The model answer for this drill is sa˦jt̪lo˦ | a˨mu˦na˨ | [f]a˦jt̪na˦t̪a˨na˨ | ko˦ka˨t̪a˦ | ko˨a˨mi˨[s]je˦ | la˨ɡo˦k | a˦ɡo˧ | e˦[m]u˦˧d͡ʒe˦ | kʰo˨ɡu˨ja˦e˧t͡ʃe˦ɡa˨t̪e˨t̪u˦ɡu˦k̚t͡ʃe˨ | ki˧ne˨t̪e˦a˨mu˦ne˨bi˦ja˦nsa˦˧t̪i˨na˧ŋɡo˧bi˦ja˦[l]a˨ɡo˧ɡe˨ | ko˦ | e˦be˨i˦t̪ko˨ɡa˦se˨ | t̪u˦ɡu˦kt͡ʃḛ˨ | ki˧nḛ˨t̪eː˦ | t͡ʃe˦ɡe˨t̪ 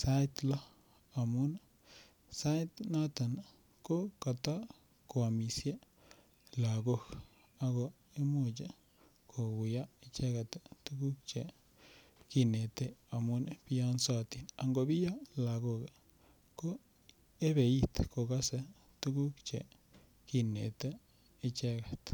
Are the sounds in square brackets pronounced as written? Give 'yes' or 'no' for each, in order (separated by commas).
no, yes, yes, yes